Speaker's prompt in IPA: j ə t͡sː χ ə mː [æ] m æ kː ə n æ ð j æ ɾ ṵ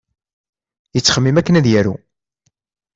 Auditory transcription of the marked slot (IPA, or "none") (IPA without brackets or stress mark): i